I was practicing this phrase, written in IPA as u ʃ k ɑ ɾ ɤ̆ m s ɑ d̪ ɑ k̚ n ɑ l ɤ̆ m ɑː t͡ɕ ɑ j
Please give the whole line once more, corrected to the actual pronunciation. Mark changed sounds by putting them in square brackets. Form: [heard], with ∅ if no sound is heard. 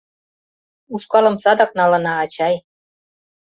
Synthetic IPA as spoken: u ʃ k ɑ [l] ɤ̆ m s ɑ d̪ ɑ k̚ n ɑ l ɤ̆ [n] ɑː t͡ɕ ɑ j